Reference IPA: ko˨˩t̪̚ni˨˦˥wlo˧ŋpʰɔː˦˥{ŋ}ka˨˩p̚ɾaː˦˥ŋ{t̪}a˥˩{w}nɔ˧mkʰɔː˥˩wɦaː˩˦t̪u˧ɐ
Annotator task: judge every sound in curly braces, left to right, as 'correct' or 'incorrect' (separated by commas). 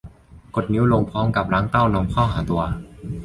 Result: incorrect, correct, correct